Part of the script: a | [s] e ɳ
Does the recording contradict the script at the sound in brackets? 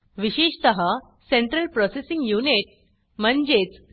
no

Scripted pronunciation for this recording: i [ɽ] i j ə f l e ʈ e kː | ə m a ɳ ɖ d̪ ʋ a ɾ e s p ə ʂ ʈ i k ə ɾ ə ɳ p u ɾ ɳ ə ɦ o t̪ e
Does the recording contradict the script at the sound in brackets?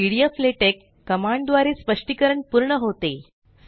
no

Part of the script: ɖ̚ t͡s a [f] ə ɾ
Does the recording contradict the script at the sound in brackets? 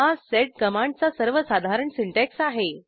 yes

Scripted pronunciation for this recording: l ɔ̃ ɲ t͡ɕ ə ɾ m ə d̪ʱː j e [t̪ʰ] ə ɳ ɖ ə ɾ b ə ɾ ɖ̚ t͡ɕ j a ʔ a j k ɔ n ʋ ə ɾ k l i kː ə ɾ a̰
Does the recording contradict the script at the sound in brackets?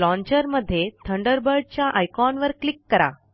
no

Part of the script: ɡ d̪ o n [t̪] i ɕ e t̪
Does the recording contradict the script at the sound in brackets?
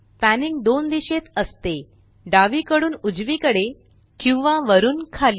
yes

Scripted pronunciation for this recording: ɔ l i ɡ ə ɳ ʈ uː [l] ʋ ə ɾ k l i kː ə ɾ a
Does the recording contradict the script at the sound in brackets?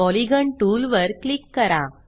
no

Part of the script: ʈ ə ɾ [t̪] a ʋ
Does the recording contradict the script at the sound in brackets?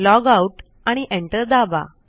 yes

